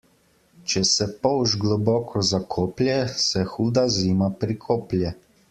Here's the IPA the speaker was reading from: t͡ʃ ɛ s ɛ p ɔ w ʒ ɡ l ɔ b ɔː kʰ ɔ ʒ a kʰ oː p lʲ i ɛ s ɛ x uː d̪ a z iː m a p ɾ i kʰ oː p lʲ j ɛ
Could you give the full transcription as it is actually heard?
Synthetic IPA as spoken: t͡ʃ ɛ s ɛ p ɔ w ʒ ɡ l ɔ b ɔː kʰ ɔ z a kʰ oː p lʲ j ɛ s ɛ x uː d̪ a z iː m a p ɾ i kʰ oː p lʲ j ɛ

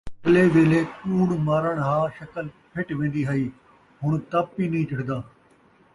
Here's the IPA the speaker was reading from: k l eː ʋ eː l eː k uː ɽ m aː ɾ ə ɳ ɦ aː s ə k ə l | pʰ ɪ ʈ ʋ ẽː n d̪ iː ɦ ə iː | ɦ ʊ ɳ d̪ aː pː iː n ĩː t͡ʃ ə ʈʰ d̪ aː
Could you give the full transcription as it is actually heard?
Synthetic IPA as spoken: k l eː ʋ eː l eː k uː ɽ m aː ɾ ə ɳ ɦ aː ʃ ə k ə l | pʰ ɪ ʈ ʋ ẽː n d̪ iː ɦ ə iː | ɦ ʊ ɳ t̪ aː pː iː n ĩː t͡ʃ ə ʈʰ d̪ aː

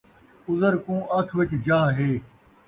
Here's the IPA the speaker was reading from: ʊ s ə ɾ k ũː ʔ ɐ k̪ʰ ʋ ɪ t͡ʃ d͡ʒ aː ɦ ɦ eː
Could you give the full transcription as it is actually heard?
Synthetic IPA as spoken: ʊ z ə ɾ k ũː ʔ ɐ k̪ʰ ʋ ɪ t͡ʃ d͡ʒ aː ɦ ɦ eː

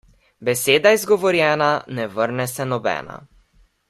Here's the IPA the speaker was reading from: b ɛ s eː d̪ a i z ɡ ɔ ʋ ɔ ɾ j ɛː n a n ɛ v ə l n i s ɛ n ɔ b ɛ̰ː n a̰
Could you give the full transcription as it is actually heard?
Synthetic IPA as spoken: b ɛ s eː d̪ a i z ɡ ɔ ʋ ɔ ɾ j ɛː n a n ɛ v ə ɾ n ɛ s ɛ n ɔ b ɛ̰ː n a̰

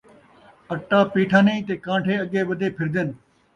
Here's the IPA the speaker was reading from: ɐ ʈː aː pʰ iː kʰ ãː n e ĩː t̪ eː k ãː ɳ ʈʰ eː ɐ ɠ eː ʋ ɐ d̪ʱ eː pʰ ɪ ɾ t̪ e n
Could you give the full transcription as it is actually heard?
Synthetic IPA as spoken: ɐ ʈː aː p iː ʈʰ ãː n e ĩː t̪ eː k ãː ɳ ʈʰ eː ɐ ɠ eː ʋ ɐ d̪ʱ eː pʰ ɪ ɾ d̪ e n

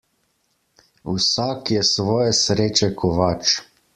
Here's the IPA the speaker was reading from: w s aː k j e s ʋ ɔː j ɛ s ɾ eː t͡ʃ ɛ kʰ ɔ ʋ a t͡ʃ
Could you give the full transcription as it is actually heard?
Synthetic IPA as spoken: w s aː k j ɛ s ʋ ɔː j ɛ s ɾ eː t͡ʃ ɛ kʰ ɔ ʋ a t͡ʃ

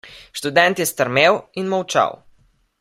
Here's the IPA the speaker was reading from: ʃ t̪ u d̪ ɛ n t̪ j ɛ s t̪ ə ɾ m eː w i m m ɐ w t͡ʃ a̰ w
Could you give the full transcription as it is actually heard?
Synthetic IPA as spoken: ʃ t̪ u d̪ ɛ n t̪ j ɛ s t̪ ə ɾ m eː w i n m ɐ w t͡ʃ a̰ w

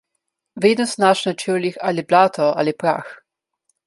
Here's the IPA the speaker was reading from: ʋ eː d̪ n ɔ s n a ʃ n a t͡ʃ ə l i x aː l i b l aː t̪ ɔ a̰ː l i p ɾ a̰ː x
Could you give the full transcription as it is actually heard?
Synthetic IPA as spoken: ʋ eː d̪ n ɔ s n a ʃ n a t͡ʃ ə l i x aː l i b l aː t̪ ɔ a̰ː l i p ɾ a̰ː x

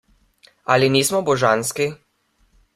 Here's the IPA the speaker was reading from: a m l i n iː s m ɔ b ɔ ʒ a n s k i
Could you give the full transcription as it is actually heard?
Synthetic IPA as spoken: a l i n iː s m ɔ b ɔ ʒ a n s k i

